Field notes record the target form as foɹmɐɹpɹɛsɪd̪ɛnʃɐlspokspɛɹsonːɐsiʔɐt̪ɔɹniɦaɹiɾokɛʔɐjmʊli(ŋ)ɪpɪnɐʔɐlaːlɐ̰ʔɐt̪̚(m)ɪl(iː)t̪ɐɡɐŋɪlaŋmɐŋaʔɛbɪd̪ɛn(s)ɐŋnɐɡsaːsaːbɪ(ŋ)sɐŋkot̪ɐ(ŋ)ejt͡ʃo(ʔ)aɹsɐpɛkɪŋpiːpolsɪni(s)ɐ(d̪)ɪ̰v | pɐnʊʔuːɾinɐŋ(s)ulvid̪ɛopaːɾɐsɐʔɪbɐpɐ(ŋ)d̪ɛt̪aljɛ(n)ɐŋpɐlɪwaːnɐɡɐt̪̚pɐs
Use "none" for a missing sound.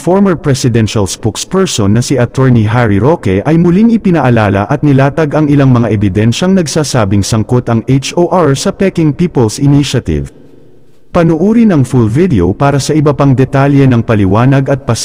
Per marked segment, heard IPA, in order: ŋ, n, aː, ʃ, ŋ, ŋ, ʔ, ʃ, t̪, f, ŋ, n

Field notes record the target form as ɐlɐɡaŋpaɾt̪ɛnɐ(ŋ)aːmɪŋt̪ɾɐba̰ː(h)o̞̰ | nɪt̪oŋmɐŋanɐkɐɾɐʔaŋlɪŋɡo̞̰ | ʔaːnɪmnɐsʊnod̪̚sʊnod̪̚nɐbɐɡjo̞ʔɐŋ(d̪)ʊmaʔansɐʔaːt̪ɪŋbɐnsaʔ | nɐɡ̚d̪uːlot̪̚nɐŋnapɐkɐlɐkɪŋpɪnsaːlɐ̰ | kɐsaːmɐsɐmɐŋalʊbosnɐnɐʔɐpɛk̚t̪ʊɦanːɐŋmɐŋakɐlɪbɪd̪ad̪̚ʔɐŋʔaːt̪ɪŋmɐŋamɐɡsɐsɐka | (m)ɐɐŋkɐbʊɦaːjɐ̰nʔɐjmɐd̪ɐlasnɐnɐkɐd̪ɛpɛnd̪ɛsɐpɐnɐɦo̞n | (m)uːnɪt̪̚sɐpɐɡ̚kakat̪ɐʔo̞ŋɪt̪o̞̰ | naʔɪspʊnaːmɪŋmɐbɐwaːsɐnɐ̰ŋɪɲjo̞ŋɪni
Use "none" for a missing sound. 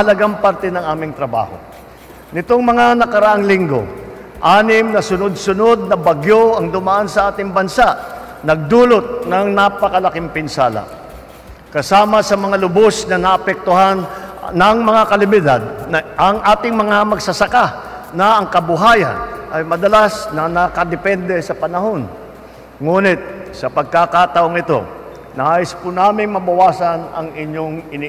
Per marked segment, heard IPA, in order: ŋ, h, d̪, n, ŋ

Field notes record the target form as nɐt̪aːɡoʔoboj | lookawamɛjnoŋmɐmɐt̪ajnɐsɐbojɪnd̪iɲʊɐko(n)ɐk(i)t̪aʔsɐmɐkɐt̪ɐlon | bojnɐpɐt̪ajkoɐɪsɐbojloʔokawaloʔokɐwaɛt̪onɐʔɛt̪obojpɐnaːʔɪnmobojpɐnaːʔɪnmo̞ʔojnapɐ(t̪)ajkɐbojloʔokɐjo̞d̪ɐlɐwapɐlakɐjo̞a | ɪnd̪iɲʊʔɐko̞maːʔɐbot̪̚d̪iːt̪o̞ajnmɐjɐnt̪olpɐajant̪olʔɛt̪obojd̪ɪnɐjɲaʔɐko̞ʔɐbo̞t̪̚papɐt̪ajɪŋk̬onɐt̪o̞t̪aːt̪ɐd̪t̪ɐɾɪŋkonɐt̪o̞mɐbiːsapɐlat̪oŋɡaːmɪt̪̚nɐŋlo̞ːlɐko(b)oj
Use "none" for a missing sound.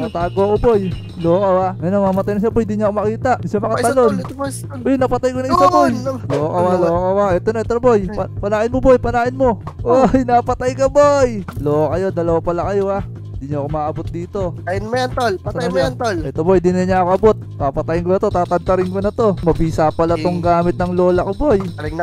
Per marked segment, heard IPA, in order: m, iː, t̪, b

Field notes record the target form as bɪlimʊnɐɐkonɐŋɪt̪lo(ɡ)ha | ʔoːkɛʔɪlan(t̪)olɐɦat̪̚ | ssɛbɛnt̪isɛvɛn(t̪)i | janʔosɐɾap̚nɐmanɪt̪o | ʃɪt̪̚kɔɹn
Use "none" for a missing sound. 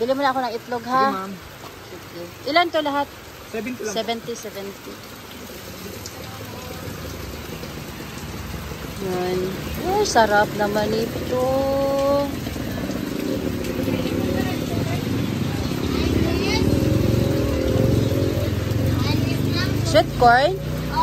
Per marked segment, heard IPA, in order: ɡ, t̪, t̪

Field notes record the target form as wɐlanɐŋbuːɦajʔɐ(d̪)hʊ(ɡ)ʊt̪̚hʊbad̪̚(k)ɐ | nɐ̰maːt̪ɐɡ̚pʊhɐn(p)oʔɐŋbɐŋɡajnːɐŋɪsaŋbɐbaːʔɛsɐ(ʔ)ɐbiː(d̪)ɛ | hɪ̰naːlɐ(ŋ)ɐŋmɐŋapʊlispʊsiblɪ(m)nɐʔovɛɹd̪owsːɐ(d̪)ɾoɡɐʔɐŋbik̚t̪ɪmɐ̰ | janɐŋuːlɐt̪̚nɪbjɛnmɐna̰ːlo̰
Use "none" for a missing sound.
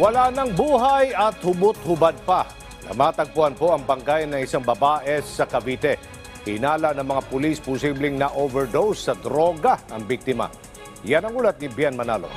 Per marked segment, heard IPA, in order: t̪, b, p, p, k, t̪, n, ŋ, d̪

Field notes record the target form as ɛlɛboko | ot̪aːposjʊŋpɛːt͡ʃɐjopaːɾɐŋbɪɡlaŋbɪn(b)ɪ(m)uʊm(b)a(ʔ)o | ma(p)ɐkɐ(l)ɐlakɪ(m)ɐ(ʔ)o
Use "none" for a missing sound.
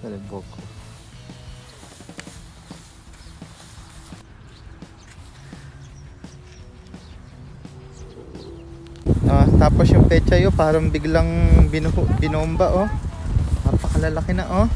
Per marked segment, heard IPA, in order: b, n, b, ʔ, p, l, n, ʔ

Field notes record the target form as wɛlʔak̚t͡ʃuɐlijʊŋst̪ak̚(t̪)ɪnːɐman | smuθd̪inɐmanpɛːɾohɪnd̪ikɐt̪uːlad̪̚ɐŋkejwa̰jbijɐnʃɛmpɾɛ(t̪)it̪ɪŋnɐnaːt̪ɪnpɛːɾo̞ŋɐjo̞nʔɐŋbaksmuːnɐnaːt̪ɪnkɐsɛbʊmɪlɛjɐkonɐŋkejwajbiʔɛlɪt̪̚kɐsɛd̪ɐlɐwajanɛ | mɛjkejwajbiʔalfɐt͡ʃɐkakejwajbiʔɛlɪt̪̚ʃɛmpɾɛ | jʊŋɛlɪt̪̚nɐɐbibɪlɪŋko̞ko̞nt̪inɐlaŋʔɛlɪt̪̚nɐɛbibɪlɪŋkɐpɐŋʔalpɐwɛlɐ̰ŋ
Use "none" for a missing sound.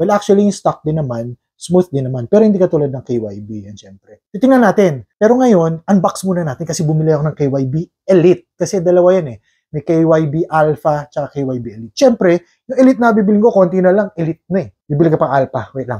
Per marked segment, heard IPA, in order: d̪, t̪

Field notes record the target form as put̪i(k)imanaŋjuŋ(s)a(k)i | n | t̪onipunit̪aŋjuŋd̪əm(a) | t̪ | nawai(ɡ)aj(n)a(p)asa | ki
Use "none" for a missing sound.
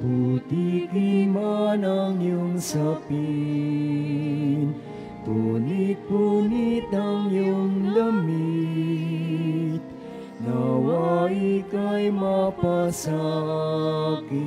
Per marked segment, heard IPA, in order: k, s, p, i, k, m, p

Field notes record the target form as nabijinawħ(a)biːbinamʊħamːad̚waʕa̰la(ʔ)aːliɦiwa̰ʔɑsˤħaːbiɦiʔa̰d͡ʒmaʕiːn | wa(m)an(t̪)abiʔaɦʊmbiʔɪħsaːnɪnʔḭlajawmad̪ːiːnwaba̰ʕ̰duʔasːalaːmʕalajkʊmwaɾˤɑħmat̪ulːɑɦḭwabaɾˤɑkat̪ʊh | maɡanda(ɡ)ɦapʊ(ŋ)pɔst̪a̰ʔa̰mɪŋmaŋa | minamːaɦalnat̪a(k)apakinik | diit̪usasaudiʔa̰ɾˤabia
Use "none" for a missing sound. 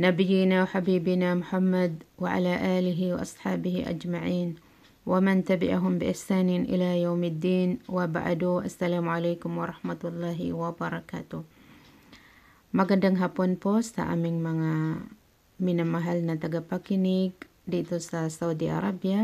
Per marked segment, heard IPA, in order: a, ʔ, m, t̪, ŋ, n, ɡ

